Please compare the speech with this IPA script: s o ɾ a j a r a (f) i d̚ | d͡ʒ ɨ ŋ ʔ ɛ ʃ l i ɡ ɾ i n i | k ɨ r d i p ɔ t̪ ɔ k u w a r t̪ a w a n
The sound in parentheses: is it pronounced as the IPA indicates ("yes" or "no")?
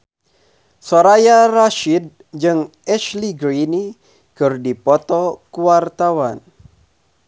no